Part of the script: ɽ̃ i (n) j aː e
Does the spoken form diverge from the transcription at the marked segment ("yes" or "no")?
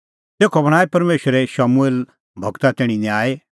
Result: no